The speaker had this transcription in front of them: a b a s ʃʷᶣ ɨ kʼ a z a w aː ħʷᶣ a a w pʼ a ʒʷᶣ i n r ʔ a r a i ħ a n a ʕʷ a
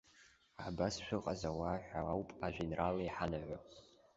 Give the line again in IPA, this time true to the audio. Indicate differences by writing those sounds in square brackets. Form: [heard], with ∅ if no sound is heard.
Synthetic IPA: a b a s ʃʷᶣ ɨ [qʼ] a z a w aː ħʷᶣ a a w pʼ a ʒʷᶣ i n r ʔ a [l] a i ħ a n a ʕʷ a